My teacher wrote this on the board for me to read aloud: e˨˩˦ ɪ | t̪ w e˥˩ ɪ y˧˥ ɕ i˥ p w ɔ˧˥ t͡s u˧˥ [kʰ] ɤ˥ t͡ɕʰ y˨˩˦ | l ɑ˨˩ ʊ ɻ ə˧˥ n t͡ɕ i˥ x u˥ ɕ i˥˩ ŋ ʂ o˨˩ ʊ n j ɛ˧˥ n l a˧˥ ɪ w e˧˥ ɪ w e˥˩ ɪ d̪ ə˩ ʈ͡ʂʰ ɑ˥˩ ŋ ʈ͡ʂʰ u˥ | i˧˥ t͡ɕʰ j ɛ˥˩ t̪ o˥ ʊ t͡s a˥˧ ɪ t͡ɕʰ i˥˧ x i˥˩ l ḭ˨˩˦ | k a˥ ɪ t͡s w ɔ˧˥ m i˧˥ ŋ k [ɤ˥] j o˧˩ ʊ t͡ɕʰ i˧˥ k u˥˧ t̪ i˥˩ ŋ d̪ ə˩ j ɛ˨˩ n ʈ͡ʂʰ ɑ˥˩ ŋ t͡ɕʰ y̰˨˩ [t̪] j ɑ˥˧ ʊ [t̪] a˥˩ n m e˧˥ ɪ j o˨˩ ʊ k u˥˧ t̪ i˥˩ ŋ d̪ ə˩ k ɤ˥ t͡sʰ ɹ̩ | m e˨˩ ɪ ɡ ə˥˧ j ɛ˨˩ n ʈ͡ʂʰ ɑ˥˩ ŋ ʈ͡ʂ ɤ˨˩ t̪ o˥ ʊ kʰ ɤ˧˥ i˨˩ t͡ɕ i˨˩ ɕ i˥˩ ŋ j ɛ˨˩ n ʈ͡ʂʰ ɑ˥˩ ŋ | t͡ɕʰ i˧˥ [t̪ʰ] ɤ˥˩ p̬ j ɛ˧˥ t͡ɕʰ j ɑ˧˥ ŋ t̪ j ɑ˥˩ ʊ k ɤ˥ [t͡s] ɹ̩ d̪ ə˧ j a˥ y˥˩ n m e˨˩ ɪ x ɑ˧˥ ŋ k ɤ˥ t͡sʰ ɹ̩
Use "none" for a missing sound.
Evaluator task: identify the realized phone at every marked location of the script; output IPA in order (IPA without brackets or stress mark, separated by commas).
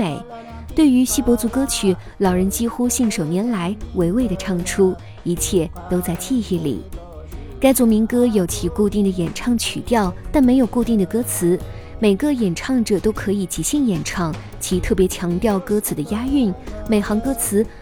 k, ɤ˥, t̪, t̪, t̪ʰ, t͡sʰ